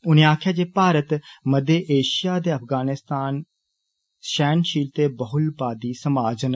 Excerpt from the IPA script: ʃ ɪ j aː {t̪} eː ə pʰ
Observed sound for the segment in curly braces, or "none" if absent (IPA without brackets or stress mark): d̪